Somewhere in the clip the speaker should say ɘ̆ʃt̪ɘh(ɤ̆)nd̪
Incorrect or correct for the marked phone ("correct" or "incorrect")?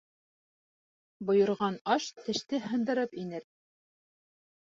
correct